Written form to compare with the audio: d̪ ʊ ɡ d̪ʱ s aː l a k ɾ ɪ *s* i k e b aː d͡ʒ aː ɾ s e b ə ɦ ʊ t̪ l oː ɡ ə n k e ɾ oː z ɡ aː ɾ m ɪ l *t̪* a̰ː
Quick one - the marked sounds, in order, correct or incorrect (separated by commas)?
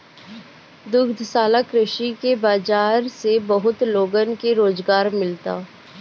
incorrect, correct